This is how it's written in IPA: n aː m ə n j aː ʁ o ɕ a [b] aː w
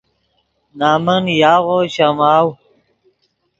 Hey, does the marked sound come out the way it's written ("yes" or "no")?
no